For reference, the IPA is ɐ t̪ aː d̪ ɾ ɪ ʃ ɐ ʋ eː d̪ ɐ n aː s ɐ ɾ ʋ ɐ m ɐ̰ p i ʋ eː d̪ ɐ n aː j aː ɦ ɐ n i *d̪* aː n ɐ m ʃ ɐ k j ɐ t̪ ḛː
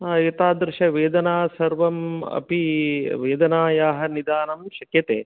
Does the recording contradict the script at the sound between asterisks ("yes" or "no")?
no